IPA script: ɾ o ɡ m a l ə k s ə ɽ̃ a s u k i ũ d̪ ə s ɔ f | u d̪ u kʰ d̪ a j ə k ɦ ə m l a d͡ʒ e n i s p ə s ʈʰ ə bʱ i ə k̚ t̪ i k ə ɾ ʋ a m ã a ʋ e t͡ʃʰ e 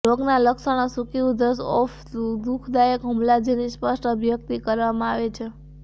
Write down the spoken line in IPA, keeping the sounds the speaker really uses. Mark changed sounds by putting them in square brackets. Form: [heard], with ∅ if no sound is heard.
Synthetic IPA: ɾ o ɡ [n] a l ə k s ə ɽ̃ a s u k i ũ d̪ ə s ɔ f | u d̪ u kʰ d̪ a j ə k ɦ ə m l a d͡ʒ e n i s p ə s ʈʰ ə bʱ [j] ə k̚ t̪ i k ə ɾ ʋ a m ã a ʋ e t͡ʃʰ e